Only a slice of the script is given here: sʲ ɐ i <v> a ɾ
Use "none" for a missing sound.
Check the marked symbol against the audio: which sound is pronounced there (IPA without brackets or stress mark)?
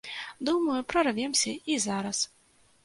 z